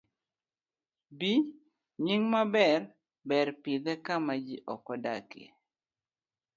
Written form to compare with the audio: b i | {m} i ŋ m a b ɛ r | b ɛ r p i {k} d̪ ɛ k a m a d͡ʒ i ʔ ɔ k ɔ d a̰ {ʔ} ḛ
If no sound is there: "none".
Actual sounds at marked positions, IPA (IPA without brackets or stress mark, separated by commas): ɲ, none, k